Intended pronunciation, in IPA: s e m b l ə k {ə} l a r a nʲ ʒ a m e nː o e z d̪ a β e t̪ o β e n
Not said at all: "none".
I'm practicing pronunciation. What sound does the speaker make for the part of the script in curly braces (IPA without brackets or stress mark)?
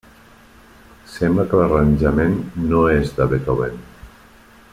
ə